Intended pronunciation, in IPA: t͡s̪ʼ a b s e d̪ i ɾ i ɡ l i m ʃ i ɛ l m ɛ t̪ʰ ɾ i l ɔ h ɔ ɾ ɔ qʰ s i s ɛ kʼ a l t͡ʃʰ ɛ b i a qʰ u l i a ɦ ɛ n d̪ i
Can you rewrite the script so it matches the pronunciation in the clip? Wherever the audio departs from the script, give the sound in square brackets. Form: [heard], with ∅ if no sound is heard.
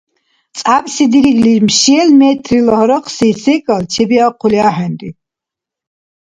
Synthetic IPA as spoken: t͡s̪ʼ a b s [i] d̪ i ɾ i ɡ l i m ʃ i ɛ l m ɛ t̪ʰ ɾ i l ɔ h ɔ ɾ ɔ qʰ s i s ɛ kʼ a l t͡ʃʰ ɛ b i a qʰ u l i a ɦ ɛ n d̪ i